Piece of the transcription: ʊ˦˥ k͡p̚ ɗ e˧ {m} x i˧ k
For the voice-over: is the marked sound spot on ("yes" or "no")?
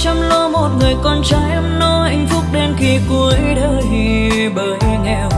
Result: no